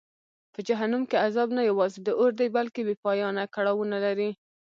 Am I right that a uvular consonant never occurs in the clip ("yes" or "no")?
yes